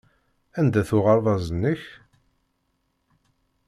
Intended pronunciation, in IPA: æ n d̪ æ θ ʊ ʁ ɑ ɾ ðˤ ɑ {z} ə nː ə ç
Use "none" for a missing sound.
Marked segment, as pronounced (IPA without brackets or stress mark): z